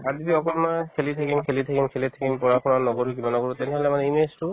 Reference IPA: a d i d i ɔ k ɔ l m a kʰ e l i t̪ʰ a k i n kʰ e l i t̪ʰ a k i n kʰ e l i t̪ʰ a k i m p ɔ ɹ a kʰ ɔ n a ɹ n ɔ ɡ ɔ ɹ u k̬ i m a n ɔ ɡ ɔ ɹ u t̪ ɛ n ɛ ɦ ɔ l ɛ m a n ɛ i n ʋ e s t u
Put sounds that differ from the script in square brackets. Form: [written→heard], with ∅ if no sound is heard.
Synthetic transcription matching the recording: a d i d i ɔ k ɔ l m a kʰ e l i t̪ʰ a k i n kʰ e l i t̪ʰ a k i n kʰ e l i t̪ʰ a k i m p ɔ ɹ a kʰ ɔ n a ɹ n ɔ ɡ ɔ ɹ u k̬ i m a n ɔ ɡ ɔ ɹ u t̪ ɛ n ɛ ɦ ɔ l ɛ m a n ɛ i n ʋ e s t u